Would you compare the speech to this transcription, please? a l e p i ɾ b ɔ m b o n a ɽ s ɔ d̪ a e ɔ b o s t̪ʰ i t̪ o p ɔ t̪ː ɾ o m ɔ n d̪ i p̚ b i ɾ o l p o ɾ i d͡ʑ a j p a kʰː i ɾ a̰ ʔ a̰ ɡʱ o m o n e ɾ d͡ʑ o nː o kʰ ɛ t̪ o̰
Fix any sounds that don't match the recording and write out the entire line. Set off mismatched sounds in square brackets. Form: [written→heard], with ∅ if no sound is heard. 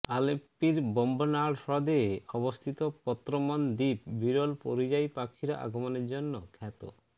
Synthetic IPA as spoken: a l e p i ɾ b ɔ m b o n a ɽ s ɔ d̪ [a→e] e ɔ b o s t̪ʰ i t̪ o p ɔ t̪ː ɾ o m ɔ n d̪ i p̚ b i ɾ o l p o ɾ i d͡ʑ a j p a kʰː i ɾ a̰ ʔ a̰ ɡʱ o m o n e ɾ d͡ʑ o nː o kʰ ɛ t̪ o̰